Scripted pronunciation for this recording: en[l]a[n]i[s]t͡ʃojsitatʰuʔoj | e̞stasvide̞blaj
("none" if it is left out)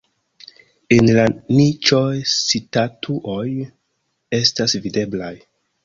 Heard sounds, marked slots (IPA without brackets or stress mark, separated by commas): l, n, none